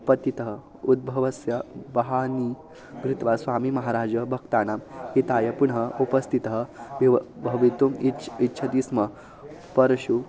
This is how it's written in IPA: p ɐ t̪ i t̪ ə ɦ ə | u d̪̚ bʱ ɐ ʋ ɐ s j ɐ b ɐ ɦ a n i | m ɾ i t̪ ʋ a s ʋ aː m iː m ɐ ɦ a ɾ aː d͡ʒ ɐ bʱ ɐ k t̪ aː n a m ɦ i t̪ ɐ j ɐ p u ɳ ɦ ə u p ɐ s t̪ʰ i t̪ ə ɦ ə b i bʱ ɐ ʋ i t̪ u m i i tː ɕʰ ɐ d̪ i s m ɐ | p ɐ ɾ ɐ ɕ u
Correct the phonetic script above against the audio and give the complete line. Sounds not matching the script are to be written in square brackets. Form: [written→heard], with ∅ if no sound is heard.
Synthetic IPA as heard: p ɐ t̪ i t̪ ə ɦ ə | u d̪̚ bʱ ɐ ʋ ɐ s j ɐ b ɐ ɦ a n i | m ɾ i t̪ ʋ a s ʋ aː m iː m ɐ ɦ a ɾ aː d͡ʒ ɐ bʱ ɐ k t̪ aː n a m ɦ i t̪ [ɐ→a] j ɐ p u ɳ ɦ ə u p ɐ s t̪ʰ i t̪ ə ɦ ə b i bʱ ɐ ʋ i t̪ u m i i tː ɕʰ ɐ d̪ i s m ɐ | p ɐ ɾ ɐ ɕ u